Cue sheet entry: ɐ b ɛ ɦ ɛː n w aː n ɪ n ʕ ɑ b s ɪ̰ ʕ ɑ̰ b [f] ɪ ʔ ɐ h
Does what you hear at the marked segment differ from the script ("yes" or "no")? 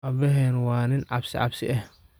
yes